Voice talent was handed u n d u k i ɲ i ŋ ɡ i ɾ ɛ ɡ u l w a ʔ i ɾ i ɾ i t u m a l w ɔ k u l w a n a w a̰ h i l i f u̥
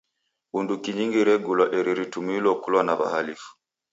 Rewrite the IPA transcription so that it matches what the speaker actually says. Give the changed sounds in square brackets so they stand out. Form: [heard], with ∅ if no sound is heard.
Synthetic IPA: u n d u k i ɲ i ŋ ɡ i ɾ ɛ ɡ u l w a ʔ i ɾ i ɾ i t u m [i] l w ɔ k u l w a n a [β] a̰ h [a] l i f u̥